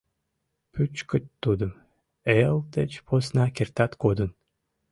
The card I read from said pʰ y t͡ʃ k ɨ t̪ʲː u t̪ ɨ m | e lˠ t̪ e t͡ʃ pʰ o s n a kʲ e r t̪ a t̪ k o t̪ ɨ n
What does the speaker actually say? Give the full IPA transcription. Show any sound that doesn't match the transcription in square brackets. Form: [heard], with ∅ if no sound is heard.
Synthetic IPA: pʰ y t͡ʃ k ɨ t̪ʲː u [d̪] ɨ m | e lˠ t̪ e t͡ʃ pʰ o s n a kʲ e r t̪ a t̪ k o [d̪] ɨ n

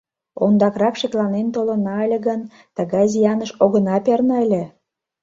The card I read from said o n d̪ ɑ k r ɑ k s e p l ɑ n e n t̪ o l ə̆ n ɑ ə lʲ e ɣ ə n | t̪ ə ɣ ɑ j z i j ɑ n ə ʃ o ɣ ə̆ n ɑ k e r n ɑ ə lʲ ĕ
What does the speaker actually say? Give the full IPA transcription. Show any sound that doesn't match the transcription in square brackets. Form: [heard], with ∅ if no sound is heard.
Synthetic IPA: o n d̪ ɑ k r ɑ k [ʃ] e [k] l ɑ n e n t̪ o l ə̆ n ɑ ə lʲ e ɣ ə n | t̪ ə ɣ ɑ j z i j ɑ n ə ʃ o ɣ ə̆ n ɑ [p] e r n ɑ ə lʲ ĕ

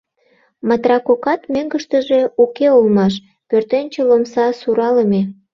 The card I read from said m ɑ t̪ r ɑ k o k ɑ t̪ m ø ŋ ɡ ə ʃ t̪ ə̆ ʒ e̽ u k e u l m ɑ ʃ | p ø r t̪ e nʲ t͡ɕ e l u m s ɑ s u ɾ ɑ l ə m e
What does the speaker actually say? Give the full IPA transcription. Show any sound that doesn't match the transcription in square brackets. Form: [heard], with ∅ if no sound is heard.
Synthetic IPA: m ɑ t̪ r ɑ k o k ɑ t̪ m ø ŋ ɡ ə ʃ t̪ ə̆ ʒ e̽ u k e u l m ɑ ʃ | p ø r t̪ e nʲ t͡ɕ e l [o] m s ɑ s u ɾ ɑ l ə m e

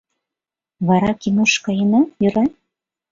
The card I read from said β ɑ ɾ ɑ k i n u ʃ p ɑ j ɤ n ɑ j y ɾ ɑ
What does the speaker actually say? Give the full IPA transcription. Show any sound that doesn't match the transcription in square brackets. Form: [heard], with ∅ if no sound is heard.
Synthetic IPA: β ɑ ɾ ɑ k i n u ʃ [k] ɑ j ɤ n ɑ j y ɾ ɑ

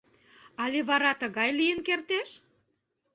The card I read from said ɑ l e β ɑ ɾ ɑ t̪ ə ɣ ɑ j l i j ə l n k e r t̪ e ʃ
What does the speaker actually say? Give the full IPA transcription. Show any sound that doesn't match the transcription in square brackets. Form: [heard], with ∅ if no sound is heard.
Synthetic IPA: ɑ l e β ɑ ɾ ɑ t̪ ə ɣ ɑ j l i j ə [∅] n k e r t̪ e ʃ

